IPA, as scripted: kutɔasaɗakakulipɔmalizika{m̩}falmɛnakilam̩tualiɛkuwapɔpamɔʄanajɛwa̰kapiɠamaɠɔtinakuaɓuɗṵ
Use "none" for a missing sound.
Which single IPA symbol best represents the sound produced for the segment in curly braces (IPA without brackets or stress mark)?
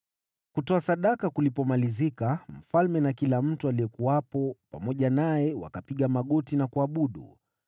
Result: m̩